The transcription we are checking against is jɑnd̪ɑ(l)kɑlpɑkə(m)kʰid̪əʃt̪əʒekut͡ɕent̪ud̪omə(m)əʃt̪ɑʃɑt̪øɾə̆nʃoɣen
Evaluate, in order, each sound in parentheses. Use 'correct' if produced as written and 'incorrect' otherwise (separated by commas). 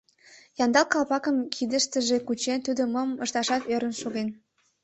correct, correct, correct